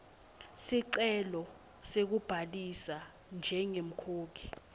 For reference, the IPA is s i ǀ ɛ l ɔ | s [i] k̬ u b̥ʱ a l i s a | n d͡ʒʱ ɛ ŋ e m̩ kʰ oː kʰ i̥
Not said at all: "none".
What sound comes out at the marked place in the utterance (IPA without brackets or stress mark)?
e